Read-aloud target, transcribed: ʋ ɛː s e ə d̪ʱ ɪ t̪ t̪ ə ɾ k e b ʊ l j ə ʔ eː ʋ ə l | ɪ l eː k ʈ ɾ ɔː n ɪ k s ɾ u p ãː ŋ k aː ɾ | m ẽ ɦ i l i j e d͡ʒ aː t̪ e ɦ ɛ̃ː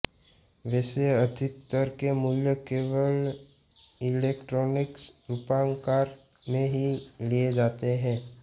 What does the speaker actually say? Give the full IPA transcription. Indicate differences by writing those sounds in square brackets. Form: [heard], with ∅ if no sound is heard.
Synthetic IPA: ʋ ɛː s e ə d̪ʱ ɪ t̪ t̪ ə ɾ k e [m] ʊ l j ə [k] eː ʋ ə l | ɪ l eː k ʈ ɾ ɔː n ɪ k s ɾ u p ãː ŋ k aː ɾ | m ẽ ɦ i l i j e d͡ʒ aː t̪ e ɦ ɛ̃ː